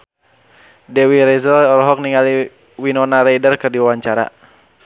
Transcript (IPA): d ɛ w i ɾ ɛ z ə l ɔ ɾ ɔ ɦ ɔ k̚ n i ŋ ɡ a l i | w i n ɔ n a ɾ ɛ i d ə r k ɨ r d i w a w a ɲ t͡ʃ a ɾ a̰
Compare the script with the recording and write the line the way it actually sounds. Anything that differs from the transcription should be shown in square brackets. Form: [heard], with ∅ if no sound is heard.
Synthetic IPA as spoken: d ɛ w i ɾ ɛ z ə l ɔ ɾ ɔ ɦ ɔ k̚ n i ŋ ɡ a l i | w i n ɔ n a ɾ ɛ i d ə r k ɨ r d i w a w a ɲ t͡ʃ a ɾ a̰